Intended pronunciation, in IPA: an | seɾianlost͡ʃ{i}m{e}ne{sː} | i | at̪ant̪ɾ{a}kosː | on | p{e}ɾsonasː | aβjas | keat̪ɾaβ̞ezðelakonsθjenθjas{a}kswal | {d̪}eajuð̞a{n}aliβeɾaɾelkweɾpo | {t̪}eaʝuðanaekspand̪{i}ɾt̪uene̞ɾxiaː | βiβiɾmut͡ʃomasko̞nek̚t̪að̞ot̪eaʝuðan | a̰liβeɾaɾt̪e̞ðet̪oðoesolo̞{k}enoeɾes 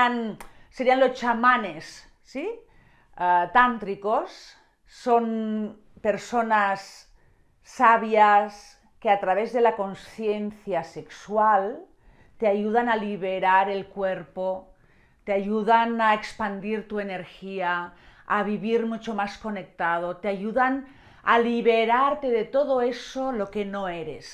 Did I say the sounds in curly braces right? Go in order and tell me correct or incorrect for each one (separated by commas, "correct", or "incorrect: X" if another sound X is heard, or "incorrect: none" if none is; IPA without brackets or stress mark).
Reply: incorrect: a, incorrect: a, correct, incorrect: i, correct, incorrect: e, incorrect: t̪, correct, correct, correct, correct